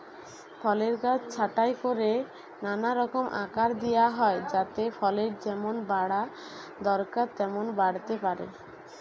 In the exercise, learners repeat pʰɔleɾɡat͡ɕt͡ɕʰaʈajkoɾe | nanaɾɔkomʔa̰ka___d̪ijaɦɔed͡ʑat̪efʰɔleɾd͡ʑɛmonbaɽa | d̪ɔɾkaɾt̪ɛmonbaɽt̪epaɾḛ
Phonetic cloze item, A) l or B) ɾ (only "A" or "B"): B